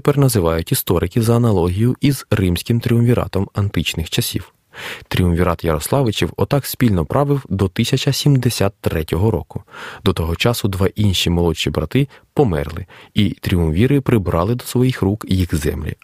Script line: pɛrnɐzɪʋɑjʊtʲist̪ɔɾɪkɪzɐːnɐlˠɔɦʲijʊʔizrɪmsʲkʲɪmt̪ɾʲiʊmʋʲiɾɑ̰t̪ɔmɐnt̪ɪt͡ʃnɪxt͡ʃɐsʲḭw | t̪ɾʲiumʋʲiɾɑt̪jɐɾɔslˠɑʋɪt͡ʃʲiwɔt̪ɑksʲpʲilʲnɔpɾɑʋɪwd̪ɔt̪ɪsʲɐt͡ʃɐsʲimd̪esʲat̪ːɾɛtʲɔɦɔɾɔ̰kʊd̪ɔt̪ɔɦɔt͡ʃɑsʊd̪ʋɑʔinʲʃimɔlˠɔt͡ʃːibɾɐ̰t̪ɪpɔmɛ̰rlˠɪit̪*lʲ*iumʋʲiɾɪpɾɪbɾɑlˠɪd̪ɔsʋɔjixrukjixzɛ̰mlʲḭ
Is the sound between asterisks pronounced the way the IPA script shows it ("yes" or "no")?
no